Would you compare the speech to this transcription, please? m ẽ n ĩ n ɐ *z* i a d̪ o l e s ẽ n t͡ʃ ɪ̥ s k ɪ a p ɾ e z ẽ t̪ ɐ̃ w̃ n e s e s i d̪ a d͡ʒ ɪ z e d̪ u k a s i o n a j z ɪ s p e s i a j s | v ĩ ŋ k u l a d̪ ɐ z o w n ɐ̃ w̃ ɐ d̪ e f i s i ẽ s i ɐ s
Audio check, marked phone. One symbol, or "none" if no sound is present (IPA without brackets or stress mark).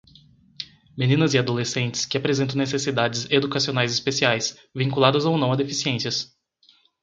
z